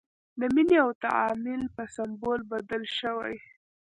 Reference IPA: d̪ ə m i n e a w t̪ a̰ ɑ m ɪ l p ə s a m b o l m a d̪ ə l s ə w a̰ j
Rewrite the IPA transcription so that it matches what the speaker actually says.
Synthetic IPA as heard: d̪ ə m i n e a w t̪ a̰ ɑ m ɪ l p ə s a m b o l b a d̪ ə l ʃ ə w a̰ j